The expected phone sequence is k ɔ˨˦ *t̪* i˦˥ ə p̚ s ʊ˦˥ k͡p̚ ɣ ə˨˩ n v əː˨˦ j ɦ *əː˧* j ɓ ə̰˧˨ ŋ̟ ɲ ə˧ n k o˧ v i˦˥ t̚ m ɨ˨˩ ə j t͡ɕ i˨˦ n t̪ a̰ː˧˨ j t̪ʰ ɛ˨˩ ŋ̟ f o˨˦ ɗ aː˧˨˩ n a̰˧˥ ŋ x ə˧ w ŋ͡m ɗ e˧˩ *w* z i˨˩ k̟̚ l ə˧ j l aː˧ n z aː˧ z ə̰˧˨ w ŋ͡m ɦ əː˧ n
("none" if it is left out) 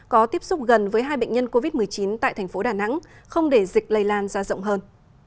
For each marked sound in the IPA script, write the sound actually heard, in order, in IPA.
t̪, aː˧, none

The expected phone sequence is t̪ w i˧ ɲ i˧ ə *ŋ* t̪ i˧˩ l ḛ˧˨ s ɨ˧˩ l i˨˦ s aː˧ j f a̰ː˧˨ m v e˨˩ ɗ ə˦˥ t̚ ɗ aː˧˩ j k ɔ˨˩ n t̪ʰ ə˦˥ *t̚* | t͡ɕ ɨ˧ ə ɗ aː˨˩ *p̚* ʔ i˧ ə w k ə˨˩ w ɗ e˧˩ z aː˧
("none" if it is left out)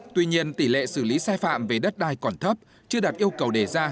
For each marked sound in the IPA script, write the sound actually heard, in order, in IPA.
n, p̚, t̚

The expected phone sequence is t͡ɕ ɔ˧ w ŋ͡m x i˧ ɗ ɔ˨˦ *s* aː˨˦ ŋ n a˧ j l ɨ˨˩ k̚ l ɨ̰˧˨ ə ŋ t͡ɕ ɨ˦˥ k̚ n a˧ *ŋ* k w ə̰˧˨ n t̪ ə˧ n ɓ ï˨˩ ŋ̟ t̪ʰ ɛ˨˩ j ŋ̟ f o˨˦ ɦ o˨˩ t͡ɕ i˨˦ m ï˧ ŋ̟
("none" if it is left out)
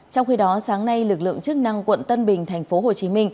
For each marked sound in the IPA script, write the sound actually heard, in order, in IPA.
s, ŋ

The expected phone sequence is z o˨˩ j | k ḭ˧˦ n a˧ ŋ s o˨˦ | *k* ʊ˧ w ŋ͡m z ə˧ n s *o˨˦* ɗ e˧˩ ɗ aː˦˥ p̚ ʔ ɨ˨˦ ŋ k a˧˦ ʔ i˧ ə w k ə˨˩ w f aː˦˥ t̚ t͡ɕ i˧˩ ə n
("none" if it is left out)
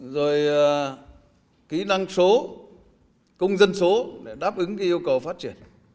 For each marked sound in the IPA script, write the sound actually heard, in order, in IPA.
k, o˨˦

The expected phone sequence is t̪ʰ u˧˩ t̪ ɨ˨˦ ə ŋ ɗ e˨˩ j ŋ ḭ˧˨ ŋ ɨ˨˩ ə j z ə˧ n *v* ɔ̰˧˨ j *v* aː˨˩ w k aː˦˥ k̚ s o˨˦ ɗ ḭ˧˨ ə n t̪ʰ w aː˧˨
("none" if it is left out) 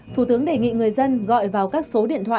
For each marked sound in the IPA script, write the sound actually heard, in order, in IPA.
ɣ, v

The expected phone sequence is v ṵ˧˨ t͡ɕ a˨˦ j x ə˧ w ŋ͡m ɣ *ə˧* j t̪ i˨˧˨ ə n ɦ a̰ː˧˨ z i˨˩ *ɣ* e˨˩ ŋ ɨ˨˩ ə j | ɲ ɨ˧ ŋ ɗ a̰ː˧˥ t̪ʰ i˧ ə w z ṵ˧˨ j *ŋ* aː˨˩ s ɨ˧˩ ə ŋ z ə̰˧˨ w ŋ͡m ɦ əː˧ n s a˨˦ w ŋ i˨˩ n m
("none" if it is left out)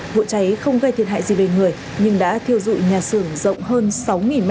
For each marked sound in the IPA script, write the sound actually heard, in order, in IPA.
ə˧, v, ɲ

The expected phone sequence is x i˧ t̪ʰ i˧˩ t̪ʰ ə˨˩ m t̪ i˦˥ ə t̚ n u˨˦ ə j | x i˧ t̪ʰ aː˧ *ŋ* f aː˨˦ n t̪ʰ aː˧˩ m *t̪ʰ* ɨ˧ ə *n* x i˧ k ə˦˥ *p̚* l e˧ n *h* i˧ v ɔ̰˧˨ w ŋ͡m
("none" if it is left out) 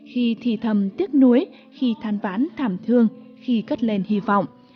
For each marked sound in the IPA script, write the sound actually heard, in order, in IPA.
n, t̪ʰ, ŋ, t̚, h

